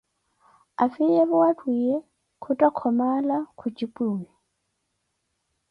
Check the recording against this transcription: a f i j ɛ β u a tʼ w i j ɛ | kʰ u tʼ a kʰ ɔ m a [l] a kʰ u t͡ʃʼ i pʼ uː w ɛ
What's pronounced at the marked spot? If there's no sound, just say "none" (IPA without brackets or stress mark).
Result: l